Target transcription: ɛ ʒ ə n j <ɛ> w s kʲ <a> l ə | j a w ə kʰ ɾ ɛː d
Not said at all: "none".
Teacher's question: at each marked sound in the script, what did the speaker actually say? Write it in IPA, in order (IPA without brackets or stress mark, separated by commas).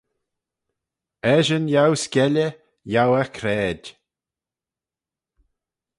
a, ɛ